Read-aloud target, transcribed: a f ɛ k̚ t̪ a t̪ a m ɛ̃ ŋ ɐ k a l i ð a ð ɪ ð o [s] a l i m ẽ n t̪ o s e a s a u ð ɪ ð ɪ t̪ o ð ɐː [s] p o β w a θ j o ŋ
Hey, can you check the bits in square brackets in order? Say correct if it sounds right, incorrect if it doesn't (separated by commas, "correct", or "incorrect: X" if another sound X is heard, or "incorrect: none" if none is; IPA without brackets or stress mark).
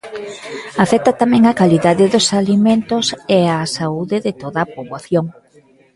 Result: correct, incorrect: none